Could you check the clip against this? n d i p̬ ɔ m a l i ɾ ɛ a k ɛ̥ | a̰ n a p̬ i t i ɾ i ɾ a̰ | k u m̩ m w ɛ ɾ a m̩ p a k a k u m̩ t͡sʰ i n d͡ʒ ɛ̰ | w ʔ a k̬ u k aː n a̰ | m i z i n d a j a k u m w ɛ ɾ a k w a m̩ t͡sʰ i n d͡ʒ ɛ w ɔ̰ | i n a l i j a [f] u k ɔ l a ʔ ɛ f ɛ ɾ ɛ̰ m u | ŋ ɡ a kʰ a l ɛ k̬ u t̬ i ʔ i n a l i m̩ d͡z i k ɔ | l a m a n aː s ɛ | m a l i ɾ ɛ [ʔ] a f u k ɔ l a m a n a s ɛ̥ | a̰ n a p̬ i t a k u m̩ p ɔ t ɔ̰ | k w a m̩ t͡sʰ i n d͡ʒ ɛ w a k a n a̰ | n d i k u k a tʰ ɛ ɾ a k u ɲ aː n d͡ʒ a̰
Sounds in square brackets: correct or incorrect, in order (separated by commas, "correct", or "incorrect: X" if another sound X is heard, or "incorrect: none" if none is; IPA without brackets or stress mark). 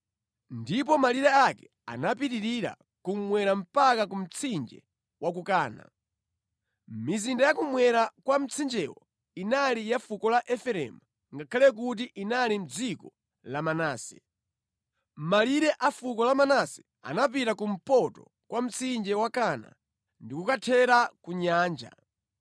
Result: correct, correct